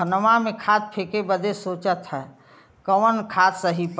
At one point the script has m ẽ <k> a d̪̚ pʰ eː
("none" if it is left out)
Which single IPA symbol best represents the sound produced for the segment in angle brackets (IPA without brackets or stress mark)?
kʰ